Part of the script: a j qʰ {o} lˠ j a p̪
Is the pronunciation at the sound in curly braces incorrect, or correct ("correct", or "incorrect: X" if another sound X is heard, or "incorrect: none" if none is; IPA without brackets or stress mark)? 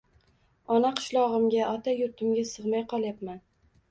incorrect: ɒ